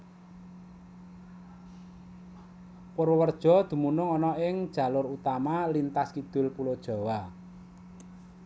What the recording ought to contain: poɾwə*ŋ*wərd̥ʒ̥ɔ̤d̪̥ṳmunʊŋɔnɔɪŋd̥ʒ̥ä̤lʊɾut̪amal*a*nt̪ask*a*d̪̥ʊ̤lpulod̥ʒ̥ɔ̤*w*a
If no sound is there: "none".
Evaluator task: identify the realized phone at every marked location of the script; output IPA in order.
none, i, i, w

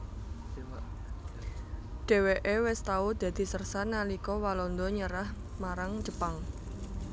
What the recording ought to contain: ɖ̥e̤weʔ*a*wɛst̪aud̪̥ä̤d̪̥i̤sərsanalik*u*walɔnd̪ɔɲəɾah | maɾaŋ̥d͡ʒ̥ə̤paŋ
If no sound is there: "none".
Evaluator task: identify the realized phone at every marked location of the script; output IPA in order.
e, ɔ

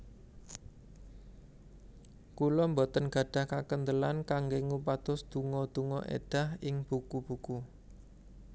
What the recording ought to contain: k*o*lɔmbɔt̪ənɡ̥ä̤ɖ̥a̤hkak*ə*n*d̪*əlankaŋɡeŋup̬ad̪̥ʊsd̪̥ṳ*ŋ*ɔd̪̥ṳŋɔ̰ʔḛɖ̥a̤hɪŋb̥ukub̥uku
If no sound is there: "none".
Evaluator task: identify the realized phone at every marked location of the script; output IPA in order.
u, ə, d̪, ŋ

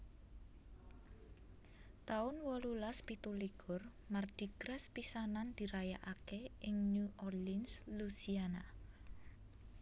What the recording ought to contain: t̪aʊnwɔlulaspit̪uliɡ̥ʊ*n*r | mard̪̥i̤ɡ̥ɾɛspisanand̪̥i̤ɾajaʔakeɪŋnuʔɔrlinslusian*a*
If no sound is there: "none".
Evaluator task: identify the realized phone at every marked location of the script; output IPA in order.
none, a

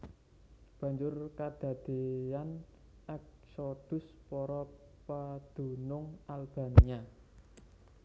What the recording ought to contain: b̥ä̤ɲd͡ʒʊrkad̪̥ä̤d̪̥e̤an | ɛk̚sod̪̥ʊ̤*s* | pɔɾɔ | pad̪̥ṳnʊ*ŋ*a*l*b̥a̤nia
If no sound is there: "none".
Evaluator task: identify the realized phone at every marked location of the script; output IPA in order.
s, ŋ, l

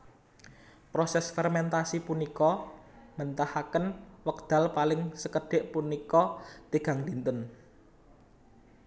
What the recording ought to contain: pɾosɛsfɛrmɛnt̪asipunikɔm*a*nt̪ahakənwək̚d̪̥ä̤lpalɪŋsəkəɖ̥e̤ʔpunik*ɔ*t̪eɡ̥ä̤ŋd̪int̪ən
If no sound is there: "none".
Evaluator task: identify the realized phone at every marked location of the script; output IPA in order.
ə, ɔ

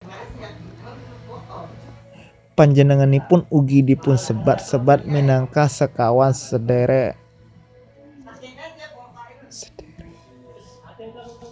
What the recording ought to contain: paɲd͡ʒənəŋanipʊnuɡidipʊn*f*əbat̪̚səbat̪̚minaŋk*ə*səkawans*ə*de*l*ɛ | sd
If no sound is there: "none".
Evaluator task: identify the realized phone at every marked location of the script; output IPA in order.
s, a, ə, ɾ

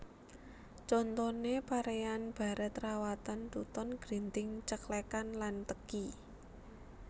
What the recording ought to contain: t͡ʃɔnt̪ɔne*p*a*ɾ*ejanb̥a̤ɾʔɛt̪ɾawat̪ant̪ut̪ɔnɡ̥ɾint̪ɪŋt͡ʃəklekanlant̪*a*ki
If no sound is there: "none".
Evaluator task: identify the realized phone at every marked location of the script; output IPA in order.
p, ɾ, ə

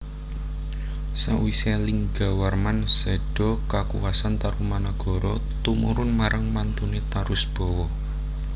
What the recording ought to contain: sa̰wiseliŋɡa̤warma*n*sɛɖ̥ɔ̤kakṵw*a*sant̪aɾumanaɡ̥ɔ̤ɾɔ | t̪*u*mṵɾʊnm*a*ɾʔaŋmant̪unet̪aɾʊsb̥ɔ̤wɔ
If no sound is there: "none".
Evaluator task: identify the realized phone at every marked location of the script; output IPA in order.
n, a, u, a

